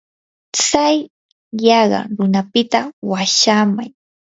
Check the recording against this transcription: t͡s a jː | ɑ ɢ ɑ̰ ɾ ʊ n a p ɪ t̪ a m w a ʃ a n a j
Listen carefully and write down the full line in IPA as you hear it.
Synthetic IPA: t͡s a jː | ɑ ɢ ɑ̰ ɾ ʊ n a p ɪ t̪ a w a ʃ a m a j